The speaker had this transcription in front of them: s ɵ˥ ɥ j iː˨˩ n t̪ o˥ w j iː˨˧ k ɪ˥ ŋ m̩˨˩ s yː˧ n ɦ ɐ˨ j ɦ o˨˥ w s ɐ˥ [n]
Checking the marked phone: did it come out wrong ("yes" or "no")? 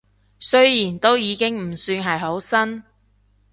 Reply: no